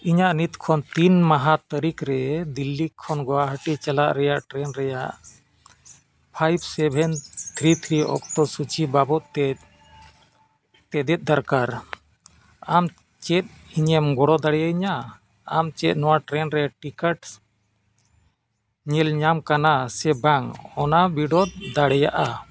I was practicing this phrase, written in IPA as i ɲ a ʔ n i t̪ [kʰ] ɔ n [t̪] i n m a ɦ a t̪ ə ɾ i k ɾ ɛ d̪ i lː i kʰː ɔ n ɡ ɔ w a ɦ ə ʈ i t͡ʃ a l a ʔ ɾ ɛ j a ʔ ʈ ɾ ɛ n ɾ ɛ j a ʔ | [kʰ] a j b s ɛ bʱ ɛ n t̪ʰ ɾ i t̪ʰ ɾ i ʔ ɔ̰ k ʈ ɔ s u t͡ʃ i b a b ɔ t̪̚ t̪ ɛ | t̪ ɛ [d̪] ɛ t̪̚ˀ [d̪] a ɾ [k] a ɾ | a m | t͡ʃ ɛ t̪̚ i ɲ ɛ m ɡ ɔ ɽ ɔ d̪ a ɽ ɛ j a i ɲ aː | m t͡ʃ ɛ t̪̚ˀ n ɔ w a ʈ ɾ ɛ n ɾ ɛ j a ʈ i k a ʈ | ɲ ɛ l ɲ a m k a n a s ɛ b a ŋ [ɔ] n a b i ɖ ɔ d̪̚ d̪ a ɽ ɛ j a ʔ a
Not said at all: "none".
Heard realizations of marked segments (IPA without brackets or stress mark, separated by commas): kʰ, t̪, pʰ, d̪, d̪, k, ɔ